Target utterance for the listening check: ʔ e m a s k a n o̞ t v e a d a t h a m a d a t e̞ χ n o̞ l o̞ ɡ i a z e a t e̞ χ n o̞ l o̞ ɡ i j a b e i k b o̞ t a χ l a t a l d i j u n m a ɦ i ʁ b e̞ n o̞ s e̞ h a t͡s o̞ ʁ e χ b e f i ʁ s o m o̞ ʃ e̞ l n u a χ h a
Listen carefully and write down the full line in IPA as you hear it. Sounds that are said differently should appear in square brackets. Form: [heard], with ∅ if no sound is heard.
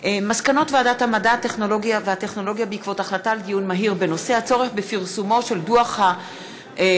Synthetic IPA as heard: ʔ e m a s k a n o̞ t v e a d a t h a m a d a t e̞ χ n o̞ l o̞ ɡ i a [v] e a t e̞ χ n o̞ l o̞ ɡ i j a b e i k [v] o̞ t a χ l a t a l d i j u n m a ɦ i ʁ b e̞ n o̞ s e̞ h a t͡s o̞ ʁ e χ b e f i ʁ s [u] m o̞ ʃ e̞ l [d] u a χ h a